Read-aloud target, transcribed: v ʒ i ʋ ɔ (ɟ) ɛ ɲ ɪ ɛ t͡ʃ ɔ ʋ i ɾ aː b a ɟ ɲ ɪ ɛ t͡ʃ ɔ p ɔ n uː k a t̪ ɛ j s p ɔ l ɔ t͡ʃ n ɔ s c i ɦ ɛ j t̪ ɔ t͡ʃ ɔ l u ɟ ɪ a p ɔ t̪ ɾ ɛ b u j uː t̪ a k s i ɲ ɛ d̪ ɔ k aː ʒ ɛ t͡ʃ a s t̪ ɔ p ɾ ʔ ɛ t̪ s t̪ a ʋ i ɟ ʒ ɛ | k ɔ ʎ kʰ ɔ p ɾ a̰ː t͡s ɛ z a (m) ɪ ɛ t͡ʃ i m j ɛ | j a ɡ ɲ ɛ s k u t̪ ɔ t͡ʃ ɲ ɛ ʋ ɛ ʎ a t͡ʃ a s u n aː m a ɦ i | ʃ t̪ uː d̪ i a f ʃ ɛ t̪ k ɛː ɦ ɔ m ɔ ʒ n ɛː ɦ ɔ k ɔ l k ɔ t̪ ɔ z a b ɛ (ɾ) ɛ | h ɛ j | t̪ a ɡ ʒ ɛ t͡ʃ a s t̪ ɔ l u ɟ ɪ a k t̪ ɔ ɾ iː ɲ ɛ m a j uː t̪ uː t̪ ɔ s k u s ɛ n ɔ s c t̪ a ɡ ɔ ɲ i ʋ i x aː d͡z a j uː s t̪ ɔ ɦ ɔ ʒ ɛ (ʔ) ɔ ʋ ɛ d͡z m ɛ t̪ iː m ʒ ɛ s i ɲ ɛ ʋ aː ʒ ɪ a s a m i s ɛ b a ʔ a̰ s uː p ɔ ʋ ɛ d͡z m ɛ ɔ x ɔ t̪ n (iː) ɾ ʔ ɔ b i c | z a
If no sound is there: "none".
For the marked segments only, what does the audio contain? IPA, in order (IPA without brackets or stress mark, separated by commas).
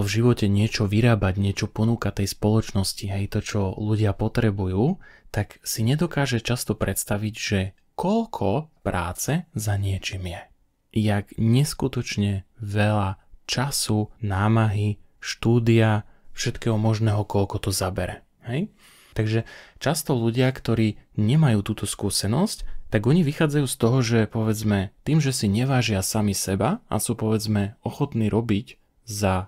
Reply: c, ɲ, ɾ, p, iː